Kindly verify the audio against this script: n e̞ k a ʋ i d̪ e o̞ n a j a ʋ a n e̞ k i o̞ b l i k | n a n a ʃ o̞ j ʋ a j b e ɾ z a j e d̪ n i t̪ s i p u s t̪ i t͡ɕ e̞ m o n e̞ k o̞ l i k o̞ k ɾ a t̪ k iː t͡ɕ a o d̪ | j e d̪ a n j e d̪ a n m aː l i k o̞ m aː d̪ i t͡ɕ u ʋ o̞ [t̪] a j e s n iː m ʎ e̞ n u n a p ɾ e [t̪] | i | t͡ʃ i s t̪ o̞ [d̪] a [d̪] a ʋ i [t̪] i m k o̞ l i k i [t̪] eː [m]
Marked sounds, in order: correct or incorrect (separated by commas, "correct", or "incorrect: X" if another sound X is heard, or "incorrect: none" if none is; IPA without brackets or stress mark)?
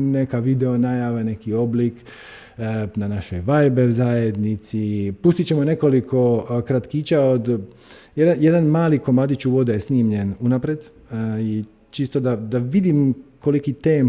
incorrect: d̪, incorrect: d̪, correct, correct, incorrect: d̪, correct, correct